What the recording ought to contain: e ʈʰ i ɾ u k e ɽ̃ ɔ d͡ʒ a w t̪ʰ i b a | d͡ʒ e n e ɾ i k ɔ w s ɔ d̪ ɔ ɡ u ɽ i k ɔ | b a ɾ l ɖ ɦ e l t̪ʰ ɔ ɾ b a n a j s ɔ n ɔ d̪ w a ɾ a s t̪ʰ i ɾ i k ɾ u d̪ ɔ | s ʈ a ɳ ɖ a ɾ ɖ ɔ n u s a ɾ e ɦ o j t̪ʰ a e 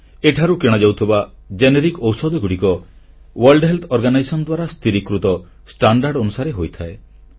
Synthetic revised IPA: e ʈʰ a ɾ u k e ɽ̃ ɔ d͡ʒ a w t̪ʰ i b a | d͡ʒ e n e ɾ i k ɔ w s ɔ d̪ ɔ ɡ u ɽ i k ɔ | w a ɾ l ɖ ɦ e l t̪ʰ ɔ ɾ ɡ a n a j s ɔ n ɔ d̪ w a ɾ a s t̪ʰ i ɾ i k ɾ u t̪ ɔ | s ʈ a ɳ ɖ a ɾ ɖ ɔ n u s a ɾ e ɦ o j t̪ʰ a e